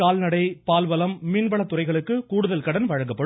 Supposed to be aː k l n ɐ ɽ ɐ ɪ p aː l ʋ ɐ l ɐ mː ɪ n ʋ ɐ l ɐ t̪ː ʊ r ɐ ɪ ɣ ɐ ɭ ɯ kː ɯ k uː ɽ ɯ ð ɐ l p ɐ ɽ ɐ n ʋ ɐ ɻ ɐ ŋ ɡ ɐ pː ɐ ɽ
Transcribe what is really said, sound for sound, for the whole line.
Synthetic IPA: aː l n ɐ ɽ ɐ ɪ p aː l ʋ ɐ l ɐ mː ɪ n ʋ ɐ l ɐ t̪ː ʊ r ɐ ɪ ɣ ɐ ɭ ɯ kː ɯ k uː ɽ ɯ ð ɐ l k ɐ ɽ ɐ n ʋ ɐ ɻ ɐ ŋ ɡ ɐ pː ɐ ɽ